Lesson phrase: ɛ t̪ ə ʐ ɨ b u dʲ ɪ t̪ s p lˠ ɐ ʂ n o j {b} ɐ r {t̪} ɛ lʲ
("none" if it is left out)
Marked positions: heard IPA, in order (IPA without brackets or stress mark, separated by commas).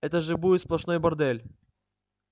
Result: b, d̪